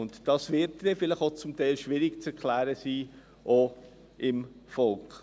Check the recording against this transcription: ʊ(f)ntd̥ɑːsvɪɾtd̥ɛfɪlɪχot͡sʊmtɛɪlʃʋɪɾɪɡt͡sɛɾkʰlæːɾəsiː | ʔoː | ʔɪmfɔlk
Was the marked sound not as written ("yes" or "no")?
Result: yes